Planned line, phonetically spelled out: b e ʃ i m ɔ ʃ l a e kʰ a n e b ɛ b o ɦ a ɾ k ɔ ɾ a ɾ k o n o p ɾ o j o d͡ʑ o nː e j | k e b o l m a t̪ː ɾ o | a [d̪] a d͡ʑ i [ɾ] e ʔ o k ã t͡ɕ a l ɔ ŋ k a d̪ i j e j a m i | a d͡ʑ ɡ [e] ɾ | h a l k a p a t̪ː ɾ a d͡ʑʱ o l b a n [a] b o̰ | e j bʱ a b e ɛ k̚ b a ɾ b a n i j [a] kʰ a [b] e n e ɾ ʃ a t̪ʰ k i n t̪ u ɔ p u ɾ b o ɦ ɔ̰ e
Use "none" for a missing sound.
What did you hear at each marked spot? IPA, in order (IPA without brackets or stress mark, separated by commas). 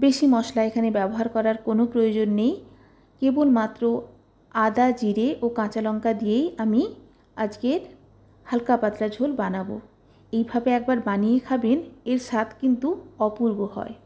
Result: d̪, ɾ, e, a, e, b